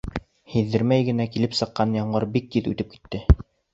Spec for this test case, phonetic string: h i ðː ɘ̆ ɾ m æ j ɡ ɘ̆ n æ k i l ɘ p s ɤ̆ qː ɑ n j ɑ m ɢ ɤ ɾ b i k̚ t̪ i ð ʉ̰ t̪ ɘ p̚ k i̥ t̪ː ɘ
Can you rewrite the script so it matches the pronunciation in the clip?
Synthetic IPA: h i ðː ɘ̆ ɾ m æ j ɡ ɘ̆ n æ k i l ɘ p s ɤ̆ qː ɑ n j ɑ ɴ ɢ ɤ ɾ b i k̚ t̪ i ð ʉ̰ t̪ ɘ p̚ k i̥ t̪ː ɘ

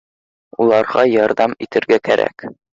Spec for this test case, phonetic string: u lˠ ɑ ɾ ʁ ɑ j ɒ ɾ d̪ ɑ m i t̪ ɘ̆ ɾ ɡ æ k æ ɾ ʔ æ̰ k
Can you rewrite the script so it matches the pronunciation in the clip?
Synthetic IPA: u lˠ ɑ ɾ ʁ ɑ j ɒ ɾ d̪ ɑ m i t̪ ɘ̆ ɾ ɡ æ k æ ɾ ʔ æ̰ k

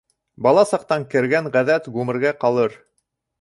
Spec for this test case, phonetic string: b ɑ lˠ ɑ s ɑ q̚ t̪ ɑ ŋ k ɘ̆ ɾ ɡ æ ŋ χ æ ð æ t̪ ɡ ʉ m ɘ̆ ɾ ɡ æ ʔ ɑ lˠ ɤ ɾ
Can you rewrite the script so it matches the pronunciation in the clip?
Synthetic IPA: b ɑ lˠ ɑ s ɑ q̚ t̪ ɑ ŋ k ɘ̆ ɾ ɡ æ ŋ ʁ æ ð æ t̪ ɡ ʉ m ɘ̆ ɾ ɡ æ q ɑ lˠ ɤ ɾ

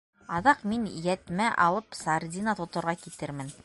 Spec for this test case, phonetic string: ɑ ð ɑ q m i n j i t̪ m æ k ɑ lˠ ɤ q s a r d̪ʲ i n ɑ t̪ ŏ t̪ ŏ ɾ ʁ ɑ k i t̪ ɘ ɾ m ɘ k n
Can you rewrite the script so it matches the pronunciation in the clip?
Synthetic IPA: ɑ ð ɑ q m i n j æ t̪ m æ ʔ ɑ lˠ ɤ p s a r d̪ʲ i n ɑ t̪ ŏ t̪ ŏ ɾ ʁ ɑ k i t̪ ɘ ɾ m ɘ n

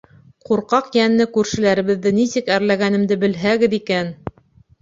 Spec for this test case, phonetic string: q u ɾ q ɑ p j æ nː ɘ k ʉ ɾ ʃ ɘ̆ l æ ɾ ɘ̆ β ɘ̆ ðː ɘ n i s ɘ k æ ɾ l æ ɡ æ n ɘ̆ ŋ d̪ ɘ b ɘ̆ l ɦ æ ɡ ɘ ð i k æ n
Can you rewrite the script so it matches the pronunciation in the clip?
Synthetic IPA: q u ɾ q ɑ q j æ nː ɘ k ʉ ɾ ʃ ɘ̆ l æ ɾ ɘ̆ β ɘ̆ ðː ɘ n i s ɘ k æ ɾ l æ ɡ æ n ɘ̆ m d̪ ɘ b ɘ̆ l ɦ æ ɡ ɘ ð i k æ n

